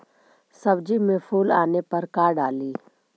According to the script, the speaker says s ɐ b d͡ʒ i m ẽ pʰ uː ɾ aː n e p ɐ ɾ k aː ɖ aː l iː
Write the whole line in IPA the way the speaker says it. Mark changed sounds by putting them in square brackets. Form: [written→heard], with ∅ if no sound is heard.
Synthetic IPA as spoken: s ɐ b d͡ʒ i m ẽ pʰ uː [ɾ→l] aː n e p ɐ ɾ k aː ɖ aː l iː